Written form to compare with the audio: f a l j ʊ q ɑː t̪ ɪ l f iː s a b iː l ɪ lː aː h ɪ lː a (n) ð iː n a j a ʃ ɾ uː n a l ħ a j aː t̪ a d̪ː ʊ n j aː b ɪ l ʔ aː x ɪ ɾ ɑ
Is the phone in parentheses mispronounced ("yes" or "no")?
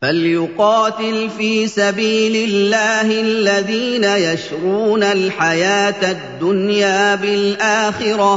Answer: yes